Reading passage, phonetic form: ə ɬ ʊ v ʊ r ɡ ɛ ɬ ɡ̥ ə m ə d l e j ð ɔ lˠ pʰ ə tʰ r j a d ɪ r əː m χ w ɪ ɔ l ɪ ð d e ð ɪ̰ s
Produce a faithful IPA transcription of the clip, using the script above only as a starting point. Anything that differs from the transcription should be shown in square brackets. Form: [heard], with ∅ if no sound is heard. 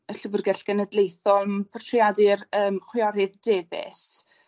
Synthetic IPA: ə ɬ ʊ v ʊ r ɡ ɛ ɬ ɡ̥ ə [n] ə d l e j [θ] ɔ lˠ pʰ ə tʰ r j a d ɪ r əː m χ w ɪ ɔ [ɾ] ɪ ð d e [v] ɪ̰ s